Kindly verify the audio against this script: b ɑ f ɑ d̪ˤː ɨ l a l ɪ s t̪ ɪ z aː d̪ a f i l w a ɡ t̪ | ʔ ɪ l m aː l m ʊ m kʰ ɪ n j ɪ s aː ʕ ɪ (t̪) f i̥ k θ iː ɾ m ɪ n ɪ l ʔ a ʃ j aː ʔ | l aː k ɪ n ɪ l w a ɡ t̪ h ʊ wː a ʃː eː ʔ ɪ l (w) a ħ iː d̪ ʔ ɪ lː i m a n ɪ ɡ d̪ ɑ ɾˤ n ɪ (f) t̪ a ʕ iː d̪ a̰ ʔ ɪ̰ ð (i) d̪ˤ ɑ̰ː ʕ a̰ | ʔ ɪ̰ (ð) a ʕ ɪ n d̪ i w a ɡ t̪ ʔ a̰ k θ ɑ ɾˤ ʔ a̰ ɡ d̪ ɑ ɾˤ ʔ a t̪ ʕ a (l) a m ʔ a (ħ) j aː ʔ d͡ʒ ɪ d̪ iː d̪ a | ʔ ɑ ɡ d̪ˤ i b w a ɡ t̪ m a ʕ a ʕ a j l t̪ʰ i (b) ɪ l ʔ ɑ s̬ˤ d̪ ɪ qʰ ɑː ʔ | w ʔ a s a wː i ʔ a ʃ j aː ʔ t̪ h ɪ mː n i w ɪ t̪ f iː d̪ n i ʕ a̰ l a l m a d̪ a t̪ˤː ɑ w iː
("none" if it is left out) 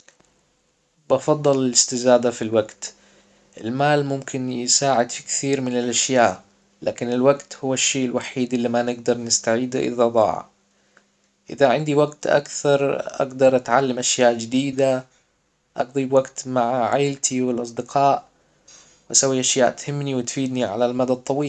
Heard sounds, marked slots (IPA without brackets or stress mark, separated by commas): d̪, w, s, a, ð, lː, ʃ, w